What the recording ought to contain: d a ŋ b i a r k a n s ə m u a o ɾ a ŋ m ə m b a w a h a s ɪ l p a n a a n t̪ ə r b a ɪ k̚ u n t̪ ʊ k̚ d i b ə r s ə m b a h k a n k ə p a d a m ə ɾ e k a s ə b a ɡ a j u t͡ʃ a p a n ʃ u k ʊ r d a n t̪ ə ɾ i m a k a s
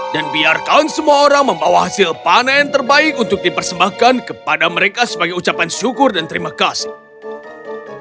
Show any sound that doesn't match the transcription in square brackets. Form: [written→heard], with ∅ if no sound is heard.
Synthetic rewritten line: d a [ŋ→n] b i a r k a n s ə m u a o ɾ a ŋ m ə m b a w a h a s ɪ l p a n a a n t̪ ə r b a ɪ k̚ u n t̪ ʊ k̚ d i [b→p] ə r s ə m b a h k a n k ə p a d a m ə ɾ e k a s ə b a ɡ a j u t͡ʃ a p a n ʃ u k ʊ r d a n t̪ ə ɾ i m a k a s